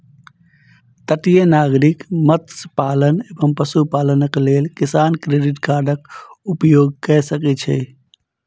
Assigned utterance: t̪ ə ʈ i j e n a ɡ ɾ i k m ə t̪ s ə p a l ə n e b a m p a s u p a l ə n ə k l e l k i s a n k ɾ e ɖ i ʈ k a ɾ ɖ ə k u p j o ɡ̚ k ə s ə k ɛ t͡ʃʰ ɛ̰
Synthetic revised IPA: t̪ ə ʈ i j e n a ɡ ɾ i k m ə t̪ s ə p a l ə n e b ə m p ə s u p a l ə n ə k l e l k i s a n k ɾ e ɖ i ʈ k a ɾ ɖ ə k u p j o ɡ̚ k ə s ə k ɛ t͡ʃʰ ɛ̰